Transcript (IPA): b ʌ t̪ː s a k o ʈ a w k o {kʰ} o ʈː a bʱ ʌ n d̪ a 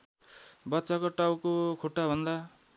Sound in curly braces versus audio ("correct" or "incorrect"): correct